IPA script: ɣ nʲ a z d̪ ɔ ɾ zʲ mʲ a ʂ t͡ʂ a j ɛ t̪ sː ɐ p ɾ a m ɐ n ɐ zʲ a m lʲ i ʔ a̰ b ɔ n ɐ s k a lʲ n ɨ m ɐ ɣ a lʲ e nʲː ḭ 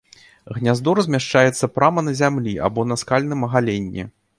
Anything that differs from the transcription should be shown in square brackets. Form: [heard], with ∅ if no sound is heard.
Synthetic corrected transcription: ɣ nʲ a z d̪ ɔ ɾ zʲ mʲ a ʂ t͡ʂ a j ɛ t̪ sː ɐ p ɾ a m ɐ n ɐ zʲ a m lʲ i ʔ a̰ b ɔ n ɐ s k a lʲ n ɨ m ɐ ɣ a lʲ e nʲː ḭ